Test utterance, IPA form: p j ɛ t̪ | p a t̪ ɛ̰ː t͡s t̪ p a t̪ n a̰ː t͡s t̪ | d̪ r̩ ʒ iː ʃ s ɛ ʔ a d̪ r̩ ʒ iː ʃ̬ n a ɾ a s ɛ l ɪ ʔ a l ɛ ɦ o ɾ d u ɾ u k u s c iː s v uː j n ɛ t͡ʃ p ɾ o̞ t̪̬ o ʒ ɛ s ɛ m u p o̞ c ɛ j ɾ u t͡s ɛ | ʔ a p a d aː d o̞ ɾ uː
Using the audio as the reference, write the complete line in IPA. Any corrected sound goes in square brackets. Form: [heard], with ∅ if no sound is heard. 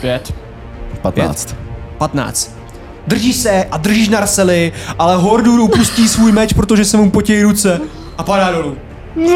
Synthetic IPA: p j ɛ t̪ | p a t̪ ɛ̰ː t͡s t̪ p a t̪ n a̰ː t͡s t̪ | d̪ r̩ ʒ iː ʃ s ɛ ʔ a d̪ r̩ ʒ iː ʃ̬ n a ɾ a s ɛ l ɪ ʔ a l ɛ ɦ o ɾ d u ɾ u [p] u s c iː s v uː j [m] ɛ t͡ʃ p ɾ o̞ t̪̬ o ʒ ɛ s ɛ m u p o̞ c ɛ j ɾ u t͡s ɛ | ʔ a p a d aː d o̞ [l] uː